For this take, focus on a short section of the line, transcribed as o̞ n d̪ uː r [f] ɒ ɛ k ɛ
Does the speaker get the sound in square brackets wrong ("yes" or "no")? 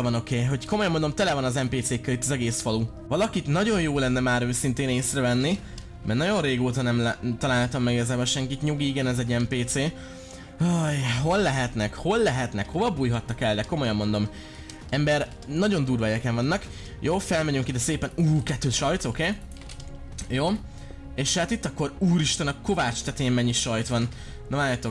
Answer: yes